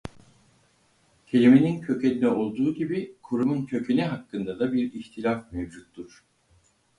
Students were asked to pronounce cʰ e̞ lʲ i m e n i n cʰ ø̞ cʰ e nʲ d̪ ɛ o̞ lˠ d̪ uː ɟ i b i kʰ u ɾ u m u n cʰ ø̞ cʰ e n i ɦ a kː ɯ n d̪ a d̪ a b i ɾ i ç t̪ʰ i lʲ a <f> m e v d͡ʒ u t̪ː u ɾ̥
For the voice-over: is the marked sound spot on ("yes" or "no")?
yes